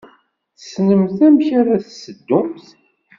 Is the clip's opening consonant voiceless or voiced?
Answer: voiceless